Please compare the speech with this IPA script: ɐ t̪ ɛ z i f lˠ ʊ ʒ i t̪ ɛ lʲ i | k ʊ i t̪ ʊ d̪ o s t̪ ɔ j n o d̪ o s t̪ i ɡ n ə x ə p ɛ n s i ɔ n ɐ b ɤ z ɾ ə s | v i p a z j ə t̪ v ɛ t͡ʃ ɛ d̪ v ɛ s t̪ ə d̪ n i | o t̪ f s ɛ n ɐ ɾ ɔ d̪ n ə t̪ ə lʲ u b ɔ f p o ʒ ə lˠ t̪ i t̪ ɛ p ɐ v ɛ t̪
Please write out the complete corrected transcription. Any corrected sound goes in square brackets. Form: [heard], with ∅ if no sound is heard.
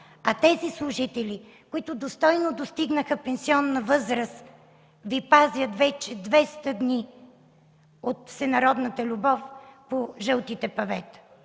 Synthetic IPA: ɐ t̪ ɛ z i [s] lˠ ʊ ʒ i t̪ ɛ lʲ i | k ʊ i t̪ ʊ d̪ o s t̪ ɔ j n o d̪ o s t̪ i ɡ n ə x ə p ɛ n s i ɔ [nː] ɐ [v] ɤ z ɾ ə s | v i p a z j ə t̪ v ɛ t͡ʃ ɛ d̪ v ɛ s t̪ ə d̪ n i | o t̪ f s ɛ n ɐ ɾ ɔ d̪ n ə t̪ ə lʲ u b ɔ f p o ʒ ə lˠ t̪ i t̪ ɛ p ɐ v ɛ t̪